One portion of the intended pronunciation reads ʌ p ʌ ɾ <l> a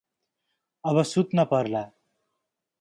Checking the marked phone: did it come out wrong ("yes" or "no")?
no